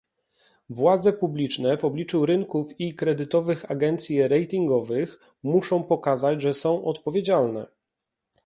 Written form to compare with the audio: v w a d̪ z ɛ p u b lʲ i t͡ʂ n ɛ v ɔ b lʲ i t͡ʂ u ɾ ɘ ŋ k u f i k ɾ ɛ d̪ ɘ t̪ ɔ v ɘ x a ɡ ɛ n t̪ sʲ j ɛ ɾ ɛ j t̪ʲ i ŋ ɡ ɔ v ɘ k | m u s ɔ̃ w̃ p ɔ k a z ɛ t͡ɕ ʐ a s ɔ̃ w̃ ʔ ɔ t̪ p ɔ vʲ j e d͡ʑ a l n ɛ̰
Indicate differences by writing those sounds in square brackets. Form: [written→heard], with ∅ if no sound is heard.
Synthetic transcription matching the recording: v w a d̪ z ɛ p u b lʲ i t͡ʂ n ɛ v ɔ b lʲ i t͡ʂ u ɾ ɘ ŋ k u f i k ɾ ɛ d̪ ɘ t̪ ɔ v ɘ x a ɡ ɛ n t̪ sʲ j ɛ ɾ ɛ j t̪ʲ i ŋ ɡ ɔ v ɘ [k→x] | m u [s→ʂ] ɔ̃ w̃ p ɔ k a z [ɛ→a] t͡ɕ ʐ [a→ɛ] s ɔ̃ w̃ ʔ ɔ t̪ p ɔ vʲ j e d͡ʑ a l n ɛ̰

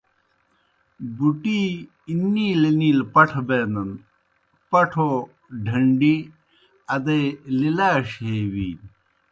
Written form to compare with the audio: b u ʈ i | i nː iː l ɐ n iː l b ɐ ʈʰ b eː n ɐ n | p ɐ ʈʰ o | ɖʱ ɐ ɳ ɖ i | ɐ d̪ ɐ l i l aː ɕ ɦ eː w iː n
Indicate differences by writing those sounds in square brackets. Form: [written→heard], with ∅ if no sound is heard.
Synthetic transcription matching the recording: b u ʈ i | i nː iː l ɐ n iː l [b→p] ɐ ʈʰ b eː n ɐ n | p ɐ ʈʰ o | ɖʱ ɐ ɳ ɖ i | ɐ d̪ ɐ l i l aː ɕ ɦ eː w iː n

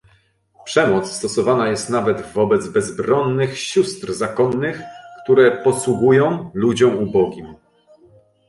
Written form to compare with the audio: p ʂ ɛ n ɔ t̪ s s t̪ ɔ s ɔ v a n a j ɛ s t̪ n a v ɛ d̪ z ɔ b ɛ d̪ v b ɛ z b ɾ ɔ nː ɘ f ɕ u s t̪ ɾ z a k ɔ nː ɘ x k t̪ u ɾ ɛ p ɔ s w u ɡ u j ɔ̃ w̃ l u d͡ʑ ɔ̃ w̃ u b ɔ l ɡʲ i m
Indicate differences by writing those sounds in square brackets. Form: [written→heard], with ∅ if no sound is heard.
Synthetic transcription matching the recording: p ʂ ɛ [n→m] ɔ t̪ s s t̪ ɔ s ɔ v a n a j ɛ s t̪ n a v ɛ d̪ [z→v] ɔ b ɛ d̪ [v→z] b ɛ z b ɾ ɔ nː ɘ [f→x] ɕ u s t̪ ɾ z a k ɔ nː ɘ x k t̪ u ɾ ɛ p ɔ s w u ɡ u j ɔ̃ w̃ l u d͡ʑ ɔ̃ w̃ u b ɔ [l→∅] ɡʲ i m

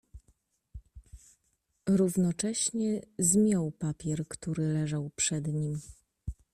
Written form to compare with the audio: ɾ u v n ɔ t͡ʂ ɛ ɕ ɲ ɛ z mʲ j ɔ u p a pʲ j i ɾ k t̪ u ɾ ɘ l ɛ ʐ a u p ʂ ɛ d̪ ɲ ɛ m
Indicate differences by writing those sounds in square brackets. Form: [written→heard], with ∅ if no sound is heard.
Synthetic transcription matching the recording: ɾ u v n ɔ t͡ʂ ɛ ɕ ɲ ɛ z mʲ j ɔ [u→w] p a pʲ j [i→ɛ] ɾ k t̪ u ɾ ɘ l ɛ ʐ a [u→w] p ʂ ɛ d̪ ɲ [ɛ→i] m

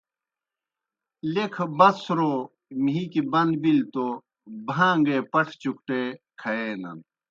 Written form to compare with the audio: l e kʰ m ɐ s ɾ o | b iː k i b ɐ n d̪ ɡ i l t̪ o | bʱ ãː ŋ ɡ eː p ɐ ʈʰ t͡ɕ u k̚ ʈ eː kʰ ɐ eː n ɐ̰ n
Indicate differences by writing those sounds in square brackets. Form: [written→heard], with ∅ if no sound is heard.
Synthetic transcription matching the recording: l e kʰ [m→b] ɐ s ɾ o | [b→m] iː k i b ɐ n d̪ [ɡ→b] i l t̪ o | bʱ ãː ŋ ɡ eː p ɐ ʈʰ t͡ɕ u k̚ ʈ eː kʰ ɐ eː n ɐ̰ n

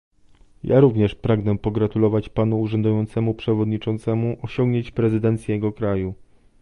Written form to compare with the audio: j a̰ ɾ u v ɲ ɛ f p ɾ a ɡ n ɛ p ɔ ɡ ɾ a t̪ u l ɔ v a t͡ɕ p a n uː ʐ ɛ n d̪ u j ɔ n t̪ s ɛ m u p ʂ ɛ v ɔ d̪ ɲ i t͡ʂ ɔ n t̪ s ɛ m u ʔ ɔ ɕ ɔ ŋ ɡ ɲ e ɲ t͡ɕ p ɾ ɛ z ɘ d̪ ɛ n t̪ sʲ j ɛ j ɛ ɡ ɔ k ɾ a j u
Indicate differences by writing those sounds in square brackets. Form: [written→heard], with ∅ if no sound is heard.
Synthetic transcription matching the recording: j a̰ ɾ u v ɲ ɛ [f→ʂ] p ɾ a ɡ n ɛ p ɔ ɡ ɾ a t̪ u l ɔ v a t͡ɕ p a n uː ʐ ɛ n d̪ u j ɔ n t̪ s ɛ m u p ʂ ɛ v ɔ d̪ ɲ i t͡ʂ ɔ n t̪ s ɛ m u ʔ ɔ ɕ ɔ ŋ ɡ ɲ e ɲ t͡ɕ p ɾ ɛ z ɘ d̪ ɛ n t̪ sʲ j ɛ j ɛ ɡ ɔ k ɾ a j u

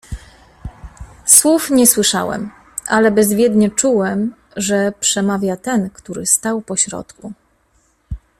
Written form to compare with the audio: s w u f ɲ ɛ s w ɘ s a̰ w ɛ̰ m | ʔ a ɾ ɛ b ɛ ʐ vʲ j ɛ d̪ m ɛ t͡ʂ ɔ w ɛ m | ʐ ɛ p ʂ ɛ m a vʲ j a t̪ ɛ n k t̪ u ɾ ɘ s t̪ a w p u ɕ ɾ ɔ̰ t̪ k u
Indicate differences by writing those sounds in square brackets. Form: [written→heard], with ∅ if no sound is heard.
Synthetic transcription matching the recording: s w u f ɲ ɛ s w ɘ [s→ʂ] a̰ w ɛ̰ m | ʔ a [ɾ→l] ɛ b ɛ [ʐ→z] vʲ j ɛ d̪ [m→ɲ] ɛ t͡ʂ [ɔ→u] w ɛ m | ʐ ɛ p ʂ ɛ m a vʲ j a t̪ ɛ n k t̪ u ɾ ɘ s t̪ a w p [u→ɔ] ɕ ɾ ɔ̰ t̪ k u

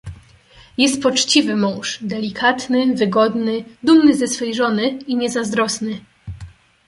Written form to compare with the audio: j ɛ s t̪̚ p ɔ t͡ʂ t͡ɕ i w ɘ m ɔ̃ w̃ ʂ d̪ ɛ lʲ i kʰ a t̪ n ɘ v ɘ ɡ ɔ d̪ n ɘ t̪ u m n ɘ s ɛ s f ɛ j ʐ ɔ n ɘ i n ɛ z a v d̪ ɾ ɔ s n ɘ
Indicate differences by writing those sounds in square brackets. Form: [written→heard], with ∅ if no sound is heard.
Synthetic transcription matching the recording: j ɛ s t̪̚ p ɔ t͡ʂ t͡ɕ i [w→v] ɘ m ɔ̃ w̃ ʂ d̪ ɛ lʲ i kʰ a t̪ n ɘ v ɘ ɡ ɔ d̪ n ɘ [t̪→d̪] u m n ɘ [s→z] ɛ s f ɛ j ʐ ɔ n ɘ i [n→ɲ] ɛ z a [v→z] d̪ ɾ ɔ s n ɘ

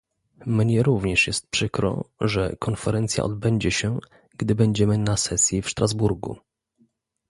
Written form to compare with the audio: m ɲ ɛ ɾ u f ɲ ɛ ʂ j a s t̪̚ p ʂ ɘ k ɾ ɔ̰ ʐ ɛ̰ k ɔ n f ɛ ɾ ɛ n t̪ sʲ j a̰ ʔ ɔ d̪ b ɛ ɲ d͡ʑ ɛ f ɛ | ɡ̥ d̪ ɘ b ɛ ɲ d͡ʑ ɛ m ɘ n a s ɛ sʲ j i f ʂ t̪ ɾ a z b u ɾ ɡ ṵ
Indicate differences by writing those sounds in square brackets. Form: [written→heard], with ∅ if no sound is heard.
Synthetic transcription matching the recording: m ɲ ɛ ɾ u [f→v] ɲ ɛ ʂ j [a→ɛ] s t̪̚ p ʂ ɘ k ɾ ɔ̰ ʐ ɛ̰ k ɔ n f ɛ ɾ ɛ n t̪ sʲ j a̰ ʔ ɔ d̪ b ɛ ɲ d͡ʑ ɛ [f→ɕ] ɛ | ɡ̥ d̪ ɘ b ɛ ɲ d͡ʑ ɛ m ɘ n a s ɛ sʲ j i f ʂ t̪ ɾ a z b u ɾ ɡ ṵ

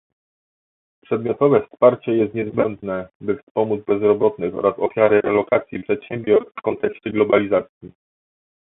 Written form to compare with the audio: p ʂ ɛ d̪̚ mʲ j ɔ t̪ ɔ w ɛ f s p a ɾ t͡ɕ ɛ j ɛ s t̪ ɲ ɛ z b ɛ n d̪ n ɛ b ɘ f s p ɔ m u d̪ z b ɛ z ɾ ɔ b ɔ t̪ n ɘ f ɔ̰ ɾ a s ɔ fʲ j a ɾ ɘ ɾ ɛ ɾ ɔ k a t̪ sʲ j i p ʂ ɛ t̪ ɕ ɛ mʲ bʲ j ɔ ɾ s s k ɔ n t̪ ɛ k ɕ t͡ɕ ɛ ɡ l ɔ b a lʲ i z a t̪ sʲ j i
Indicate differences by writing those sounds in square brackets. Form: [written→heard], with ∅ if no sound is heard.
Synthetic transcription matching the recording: p ʂ ɛ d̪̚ mʲ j ɔ t̪ ɔ [w→v] ɛ f s p a ɾ t͡ɕ ɛ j ɛ s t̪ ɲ ɛ z b ɛ n d̪ n ɛ b ɘ f s p ɔ m u d̪ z b ɛ z ɾ ɔ b ɔ t̪ n ɘ [f→x] ɔ̰ ɾ a s ɔ fʲ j a ɾ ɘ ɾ ɛ [ɾ→l] ɔ k a t̪ sʲ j i p ʂ ɛ t̪ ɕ ɛ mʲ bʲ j ɔ ɾ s [s→f] k ɔ n t̪ ɛ k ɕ t͡ɕ ɛ ɡ l ɔ b a lʲ i z a t̪ sʲ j i

